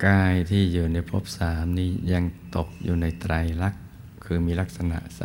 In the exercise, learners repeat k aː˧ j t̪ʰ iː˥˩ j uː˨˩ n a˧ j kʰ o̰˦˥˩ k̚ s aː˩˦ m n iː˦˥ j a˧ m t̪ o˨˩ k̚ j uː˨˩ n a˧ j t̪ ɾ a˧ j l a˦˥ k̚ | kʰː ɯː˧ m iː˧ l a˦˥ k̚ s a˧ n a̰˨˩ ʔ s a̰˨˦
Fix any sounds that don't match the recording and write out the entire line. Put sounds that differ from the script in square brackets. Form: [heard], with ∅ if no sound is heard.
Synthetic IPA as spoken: k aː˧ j t̪ʰ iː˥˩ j uː˨˩ n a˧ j [pʰ] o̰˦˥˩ [p̚] s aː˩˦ m n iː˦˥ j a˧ [ŋ] t̪ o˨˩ k̚ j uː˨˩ n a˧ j t̪ ɾ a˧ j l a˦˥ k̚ | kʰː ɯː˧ m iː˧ l a˦˥ k̚ s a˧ n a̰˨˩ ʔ s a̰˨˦